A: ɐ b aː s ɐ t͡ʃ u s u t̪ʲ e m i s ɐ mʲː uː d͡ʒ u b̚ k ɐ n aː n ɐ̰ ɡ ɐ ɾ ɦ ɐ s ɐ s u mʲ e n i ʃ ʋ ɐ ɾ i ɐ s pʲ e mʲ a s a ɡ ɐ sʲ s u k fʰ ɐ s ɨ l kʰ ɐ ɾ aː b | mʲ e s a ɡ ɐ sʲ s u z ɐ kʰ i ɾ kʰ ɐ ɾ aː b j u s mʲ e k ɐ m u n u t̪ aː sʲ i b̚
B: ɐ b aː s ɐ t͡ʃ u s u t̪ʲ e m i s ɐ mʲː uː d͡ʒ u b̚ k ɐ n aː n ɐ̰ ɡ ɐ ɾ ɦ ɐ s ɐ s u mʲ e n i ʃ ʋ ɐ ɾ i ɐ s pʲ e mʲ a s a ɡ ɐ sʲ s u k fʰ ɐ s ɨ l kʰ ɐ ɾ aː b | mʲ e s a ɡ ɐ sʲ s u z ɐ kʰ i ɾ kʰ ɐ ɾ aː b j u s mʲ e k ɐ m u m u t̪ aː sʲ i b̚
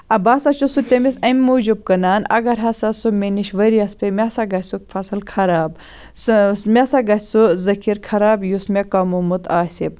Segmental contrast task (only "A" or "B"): B